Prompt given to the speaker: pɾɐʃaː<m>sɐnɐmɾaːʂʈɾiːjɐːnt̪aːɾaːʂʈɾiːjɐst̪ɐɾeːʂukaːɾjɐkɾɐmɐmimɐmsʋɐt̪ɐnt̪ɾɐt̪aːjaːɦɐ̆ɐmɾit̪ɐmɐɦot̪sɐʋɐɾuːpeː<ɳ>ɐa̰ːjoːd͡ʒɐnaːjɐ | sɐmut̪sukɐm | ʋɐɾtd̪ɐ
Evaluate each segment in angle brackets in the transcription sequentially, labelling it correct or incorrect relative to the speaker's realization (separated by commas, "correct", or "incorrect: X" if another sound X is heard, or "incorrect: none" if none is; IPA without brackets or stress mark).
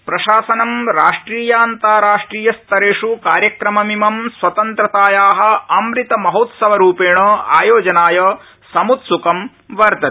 incorrect: none, correct